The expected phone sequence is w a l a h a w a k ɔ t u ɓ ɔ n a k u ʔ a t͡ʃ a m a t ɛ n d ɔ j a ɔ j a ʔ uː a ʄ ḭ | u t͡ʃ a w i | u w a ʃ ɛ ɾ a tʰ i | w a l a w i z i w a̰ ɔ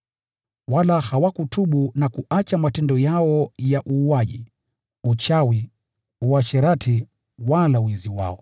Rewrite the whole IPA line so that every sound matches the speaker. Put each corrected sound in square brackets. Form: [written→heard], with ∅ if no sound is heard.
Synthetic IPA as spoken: w a l a h a w a k [ɔ→u] t u ɓ [ɔ→u] n a k u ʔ a t͡ʃ a m a t ɛ n d ɔ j a ɔ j a ʔ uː a ʄ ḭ | u t͡ʃ a w i | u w a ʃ ɛ ɾ a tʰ i | w a l a w i z i w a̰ ɔ